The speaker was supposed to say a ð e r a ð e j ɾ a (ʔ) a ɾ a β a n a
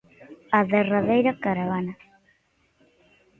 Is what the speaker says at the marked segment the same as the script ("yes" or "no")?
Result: no